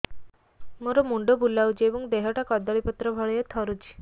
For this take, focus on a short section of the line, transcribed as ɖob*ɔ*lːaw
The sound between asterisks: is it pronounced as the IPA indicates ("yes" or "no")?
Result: no